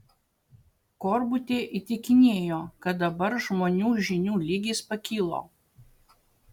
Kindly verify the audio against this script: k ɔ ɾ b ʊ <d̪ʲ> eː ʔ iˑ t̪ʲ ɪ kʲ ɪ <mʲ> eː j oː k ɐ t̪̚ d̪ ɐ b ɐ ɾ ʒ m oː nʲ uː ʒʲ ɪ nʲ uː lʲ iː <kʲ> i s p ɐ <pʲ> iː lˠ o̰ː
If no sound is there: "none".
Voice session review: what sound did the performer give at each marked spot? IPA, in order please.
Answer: t̪ʲ, nʲ, ɡʲ, kʲ

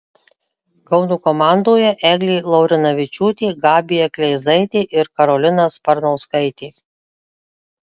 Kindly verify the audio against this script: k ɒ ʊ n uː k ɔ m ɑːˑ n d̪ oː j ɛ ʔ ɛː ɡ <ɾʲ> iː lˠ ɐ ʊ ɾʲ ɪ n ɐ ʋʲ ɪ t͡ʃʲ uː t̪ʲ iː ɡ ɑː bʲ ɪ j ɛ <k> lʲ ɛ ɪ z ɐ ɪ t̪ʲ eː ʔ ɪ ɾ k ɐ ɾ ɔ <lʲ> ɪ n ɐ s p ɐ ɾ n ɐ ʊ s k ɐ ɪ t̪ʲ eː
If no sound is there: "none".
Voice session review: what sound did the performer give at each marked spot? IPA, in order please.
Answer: lʲ, k, lʲ

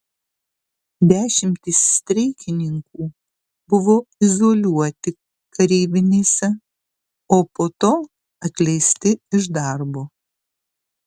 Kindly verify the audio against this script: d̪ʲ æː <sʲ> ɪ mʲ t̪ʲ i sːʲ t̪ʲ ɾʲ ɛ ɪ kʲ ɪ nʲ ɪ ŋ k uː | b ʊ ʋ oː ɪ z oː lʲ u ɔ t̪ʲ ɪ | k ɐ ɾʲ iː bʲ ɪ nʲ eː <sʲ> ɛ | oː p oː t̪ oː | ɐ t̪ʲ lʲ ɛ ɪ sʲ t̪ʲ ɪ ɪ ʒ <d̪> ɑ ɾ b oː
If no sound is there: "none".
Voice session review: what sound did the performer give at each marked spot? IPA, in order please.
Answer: ʃʲ, sʲ, d̪

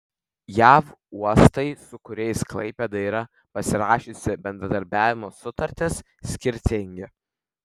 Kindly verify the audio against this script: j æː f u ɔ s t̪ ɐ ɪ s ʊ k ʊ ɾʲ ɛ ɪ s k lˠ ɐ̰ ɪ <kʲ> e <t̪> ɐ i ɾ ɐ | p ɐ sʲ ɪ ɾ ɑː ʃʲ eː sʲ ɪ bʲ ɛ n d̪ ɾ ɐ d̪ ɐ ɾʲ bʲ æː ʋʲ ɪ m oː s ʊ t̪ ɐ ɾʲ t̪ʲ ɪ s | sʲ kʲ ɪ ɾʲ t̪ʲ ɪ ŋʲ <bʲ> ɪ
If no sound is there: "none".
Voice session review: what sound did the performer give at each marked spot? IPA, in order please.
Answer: pʲ, d̪, ɡʲ

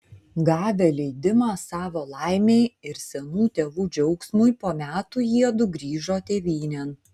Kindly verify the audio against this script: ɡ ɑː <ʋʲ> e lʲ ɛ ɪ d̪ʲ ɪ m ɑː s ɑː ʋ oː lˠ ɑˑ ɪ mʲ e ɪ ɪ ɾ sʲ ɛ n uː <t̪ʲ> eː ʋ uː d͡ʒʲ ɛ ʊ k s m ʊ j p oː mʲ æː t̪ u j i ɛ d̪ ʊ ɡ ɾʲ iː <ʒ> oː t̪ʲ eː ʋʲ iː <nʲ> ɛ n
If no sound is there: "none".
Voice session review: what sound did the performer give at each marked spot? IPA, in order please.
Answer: ʋʲ, t̪ʲ, ʒ, nʲ

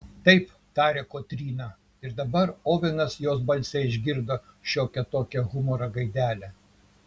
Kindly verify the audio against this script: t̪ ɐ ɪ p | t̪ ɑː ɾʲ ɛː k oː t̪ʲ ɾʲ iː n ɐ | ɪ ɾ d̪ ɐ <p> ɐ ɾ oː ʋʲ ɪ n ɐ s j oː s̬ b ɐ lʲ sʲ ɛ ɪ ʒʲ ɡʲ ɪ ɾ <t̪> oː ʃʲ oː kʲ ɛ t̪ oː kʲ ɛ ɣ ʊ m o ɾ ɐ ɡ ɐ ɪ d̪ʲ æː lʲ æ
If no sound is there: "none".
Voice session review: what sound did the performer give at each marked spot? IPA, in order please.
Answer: b, d̪

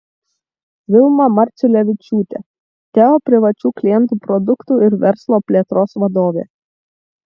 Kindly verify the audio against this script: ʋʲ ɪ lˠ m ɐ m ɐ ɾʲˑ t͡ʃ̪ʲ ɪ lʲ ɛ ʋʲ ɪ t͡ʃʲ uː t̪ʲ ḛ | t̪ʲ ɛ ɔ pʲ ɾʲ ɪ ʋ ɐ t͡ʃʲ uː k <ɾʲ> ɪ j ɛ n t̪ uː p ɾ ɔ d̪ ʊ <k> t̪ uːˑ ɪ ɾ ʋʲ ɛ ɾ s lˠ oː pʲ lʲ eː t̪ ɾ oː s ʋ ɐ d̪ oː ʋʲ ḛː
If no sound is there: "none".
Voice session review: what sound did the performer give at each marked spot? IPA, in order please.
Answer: lʲ, k

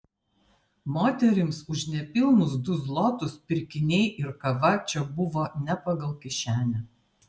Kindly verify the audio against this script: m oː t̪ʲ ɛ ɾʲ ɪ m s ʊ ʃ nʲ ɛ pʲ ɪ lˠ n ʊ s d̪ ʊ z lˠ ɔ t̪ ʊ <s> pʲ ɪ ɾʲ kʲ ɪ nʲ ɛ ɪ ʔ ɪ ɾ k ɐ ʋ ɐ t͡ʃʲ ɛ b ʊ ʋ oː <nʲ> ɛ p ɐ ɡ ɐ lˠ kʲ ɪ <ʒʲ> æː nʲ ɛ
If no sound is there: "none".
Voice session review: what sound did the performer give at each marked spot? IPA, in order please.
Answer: s, nʲ, ʃʲ

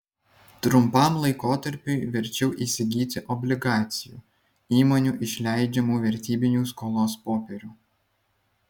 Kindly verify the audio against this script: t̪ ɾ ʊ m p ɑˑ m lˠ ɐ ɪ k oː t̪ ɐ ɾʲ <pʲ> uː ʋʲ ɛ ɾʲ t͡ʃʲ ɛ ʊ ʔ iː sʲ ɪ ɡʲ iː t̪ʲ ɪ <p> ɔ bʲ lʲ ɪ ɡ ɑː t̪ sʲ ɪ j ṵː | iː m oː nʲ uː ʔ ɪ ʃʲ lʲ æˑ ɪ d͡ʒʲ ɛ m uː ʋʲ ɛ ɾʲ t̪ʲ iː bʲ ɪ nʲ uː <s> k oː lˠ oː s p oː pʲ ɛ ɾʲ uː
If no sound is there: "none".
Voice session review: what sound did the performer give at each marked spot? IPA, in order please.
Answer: pʲ, ʔ, s

